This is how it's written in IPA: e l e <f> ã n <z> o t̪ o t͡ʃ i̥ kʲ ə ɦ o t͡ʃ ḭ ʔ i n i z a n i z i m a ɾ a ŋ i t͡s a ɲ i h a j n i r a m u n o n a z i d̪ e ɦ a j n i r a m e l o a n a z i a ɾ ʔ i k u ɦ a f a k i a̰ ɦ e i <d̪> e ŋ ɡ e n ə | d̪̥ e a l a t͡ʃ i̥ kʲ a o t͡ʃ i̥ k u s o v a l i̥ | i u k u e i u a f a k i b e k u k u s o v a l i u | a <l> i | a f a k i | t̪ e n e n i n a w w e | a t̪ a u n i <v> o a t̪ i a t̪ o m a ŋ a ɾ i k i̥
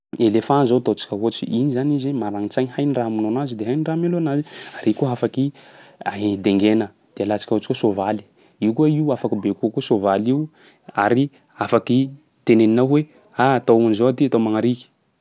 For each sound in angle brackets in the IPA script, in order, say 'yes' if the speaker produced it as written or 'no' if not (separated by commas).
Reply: yes, yes, yes, no, no